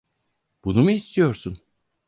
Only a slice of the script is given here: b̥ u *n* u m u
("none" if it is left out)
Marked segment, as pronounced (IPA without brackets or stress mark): n